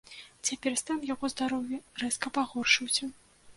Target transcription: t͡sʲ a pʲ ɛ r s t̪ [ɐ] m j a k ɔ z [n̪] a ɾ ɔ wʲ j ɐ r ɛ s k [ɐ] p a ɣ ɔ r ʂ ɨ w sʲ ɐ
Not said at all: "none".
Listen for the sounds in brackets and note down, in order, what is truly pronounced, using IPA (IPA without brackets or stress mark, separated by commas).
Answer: a, d̪, ɐ